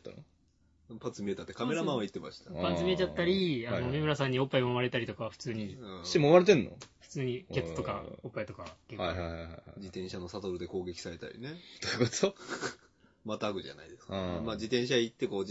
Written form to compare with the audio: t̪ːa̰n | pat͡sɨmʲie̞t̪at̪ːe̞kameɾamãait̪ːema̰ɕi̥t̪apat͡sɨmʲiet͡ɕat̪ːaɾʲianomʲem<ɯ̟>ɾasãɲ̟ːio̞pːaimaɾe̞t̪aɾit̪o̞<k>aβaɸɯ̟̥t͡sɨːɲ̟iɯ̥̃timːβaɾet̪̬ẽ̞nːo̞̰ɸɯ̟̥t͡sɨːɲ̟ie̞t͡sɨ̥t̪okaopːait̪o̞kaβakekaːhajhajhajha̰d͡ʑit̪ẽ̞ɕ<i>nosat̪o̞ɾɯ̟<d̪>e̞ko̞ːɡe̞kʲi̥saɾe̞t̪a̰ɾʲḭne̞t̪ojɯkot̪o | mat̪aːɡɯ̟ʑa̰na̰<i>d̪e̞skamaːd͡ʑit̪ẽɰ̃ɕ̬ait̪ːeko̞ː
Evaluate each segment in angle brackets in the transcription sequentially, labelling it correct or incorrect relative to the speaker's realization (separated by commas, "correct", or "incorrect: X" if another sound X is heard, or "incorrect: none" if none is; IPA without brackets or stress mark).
correct, correct, incorrect: a, correct, correct